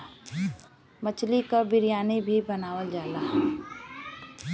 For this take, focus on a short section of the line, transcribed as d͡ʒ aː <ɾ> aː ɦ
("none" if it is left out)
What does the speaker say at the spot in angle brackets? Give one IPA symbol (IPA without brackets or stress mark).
l